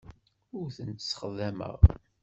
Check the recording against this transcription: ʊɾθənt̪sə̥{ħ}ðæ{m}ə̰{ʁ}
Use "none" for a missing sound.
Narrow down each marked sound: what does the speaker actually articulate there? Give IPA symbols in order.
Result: χ, m, ʁ

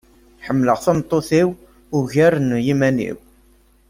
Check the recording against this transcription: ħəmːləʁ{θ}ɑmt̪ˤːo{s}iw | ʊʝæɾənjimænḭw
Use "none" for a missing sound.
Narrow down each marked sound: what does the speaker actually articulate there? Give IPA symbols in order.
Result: θ, θ

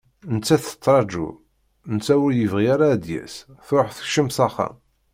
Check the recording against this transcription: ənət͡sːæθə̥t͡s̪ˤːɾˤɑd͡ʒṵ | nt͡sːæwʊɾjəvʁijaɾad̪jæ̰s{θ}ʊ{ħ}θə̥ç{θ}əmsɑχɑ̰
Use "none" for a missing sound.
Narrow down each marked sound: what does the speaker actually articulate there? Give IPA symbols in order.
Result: θ, ħ, ʃ

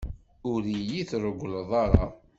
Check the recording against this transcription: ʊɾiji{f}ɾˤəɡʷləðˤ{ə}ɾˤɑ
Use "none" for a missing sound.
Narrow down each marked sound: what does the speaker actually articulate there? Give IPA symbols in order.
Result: θ, ɑ

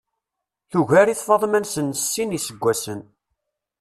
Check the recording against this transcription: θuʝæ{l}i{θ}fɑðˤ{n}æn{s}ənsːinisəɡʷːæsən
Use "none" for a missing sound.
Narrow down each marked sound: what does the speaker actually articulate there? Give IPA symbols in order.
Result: ɾ, θ, m, s

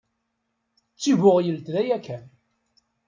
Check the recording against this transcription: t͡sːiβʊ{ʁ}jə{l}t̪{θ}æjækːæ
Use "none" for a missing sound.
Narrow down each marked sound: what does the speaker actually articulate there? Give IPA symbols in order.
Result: ʁ, l, ð

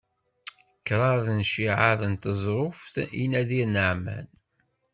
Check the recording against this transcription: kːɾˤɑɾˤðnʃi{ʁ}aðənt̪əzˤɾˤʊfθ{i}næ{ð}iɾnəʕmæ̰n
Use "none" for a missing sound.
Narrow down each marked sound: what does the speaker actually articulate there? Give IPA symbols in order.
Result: ʕ, i, ð

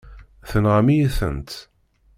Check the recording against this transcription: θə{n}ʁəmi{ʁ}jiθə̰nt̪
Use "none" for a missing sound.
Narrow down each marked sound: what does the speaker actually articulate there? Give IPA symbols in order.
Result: n, none

